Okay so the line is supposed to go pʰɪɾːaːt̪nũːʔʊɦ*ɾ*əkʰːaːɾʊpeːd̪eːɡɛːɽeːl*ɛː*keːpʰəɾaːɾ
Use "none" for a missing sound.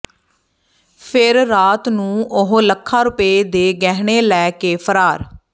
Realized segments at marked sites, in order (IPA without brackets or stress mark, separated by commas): l, ɛː